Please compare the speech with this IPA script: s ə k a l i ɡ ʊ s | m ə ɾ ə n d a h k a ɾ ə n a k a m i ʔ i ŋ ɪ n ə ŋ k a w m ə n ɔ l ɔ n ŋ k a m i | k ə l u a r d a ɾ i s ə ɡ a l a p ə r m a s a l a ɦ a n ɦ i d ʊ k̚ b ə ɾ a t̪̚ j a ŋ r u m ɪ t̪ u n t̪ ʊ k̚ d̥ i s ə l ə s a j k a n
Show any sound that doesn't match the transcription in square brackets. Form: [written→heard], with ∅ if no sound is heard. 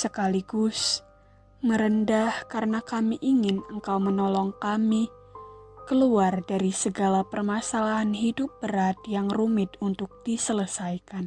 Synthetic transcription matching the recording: s ə k a l i ɡ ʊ s | m ə ɾ ə n d a h k a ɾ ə n a k a m i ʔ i ŋ ɪ n ə ŋ k a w m ə n ɔ l ɔ [n→∅] ŋ k a m i | k ə l u a r d a ɾ i s ə ɡ a l a p ə r m a s a l a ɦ a n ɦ i d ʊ [k̚→p̚] b ə ɾ a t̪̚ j a ŋ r u m ɪ t̪ u n t̪ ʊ k̚ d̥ i s ə l ə s a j k a n